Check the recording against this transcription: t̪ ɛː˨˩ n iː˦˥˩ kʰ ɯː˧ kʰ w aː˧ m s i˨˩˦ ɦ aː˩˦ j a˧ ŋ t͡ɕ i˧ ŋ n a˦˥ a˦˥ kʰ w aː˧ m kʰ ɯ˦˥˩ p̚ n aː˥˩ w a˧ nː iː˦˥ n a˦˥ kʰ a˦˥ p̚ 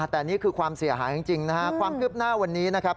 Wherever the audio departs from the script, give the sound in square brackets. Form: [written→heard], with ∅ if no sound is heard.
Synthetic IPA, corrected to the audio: t̪ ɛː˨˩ n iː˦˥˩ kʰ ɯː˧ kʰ w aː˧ m s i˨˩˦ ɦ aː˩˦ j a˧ ŋ t͡ɕ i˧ ŋ n a˦˥ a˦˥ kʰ w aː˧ m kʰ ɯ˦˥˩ p̚ n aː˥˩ w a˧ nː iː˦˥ n a˦˥ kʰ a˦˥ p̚

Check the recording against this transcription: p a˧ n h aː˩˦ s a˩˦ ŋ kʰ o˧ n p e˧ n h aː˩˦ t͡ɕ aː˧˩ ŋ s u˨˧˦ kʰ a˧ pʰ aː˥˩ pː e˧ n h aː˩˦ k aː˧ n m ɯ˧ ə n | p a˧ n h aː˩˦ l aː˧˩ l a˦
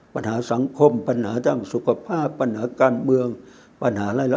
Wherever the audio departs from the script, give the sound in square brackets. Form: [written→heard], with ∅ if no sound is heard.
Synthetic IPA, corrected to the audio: p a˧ n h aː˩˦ s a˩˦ ŋ kʰ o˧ [n→m] p [e˧→a˧] n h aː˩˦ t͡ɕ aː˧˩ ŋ s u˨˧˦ kʰ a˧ pʰ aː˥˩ pː [e˧→a˧] n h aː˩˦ k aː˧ n m ɯ˧ ə [n→ŋ] | p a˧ n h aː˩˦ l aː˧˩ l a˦

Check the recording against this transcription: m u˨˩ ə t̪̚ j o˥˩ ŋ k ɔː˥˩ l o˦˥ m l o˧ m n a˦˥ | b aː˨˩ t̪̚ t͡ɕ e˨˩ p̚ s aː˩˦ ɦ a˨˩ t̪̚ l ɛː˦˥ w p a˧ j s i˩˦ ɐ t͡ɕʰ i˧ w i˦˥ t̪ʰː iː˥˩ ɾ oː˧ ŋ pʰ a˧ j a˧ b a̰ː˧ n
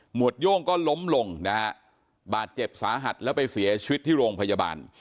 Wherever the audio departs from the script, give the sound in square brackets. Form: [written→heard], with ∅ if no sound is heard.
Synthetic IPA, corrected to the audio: m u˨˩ ə t̪̚ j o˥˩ ŋ k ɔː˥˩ l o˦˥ m l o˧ [m→ŋ] n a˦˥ | b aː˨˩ t̪̚ t͡ɕ e˨˩ p̚ s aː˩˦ ɦ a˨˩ t̪̚ l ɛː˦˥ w p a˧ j s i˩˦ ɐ t͡ɕʰ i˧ w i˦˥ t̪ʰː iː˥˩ ɾ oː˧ ŋ pʰ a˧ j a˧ b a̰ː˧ n

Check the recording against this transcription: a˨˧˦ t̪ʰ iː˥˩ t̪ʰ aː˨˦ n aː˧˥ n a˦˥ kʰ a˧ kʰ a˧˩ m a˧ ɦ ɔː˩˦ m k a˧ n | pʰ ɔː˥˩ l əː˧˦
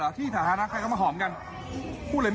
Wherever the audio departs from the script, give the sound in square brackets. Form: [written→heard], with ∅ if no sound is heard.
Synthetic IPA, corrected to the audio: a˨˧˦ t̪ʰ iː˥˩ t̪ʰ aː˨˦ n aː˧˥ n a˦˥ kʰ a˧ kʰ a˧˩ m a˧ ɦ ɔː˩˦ m k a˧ n | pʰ [ɔː˥˩→uː˥˩] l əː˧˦

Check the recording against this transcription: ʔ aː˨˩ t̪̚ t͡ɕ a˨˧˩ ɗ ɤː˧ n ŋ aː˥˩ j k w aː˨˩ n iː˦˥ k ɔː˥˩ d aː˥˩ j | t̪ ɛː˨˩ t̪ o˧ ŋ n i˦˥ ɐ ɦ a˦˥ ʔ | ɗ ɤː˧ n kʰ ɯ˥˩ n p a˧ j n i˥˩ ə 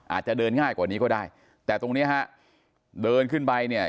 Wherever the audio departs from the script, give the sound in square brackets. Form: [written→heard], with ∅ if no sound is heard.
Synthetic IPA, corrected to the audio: ʔ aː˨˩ t̪̚ t͡ɕ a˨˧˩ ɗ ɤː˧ n ŋ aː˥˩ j k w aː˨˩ n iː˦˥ k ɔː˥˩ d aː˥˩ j | t̪ ɛː˨˩ t̪ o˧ ŋ n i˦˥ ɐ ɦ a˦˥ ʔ | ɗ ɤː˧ n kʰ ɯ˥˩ n p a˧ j n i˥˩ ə

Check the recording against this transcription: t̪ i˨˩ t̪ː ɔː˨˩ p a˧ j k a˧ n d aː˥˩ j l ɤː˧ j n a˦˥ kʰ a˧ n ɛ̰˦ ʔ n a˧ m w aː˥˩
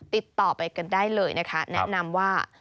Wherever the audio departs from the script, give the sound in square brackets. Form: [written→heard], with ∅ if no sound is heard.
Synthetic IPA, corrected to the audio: t̪ i˨˩ t̪ː ɔː˨˩ p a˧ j k a˧ n d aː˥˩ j l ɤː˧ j n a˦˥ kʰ [a˧→a˦˥] n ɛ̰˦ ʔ n a˧ m w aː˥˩

